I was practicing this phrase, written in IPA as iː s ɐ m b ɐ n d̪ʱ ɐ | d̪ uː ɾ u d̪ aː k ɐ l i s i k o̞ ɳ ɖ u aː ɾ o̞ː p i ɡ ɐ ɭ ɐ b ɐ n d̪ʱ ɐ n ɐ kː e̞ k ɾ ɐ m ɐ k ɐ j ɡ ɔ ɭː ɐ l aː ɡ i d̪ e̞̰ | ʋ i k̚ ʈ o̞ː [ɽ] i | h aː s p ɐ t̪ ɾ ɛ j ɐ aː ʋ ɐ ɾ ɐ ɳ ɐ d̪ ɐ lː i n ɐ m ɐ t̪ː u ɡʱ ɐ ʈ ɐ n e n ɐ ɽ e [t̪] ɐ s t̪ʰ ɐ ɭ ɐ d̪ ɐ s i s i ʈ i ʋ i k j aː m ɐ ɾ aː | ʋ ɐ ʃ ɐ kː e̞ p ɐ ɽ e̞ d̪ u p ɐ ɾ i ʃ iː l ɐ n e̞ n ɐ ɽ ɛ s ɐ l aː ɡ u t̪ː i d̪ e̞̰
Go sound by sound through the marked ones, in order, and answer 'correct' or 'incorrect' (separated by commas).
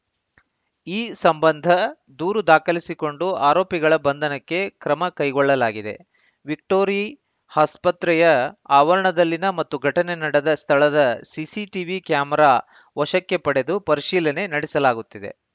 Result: incorrect, incorrect